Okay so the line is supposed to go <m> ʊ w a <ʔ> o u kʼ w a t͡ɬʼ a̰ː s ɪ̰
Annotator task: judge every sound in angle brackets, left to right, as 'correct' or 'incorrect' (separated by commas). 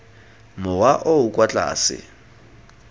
correct, correct